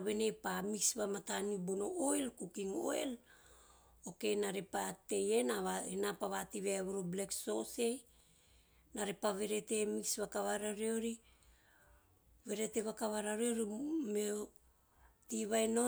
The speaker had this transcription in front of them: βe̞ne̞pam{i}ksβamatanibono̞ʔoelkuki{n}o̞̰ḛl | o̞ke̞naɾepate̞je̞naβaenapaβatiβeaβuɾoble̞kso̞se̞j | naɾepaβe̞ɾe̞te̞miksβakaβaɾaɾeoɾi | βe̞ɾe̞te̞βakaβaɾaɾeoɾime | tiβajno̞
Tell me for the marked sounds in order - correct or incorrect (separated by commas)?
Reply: correct, incorrect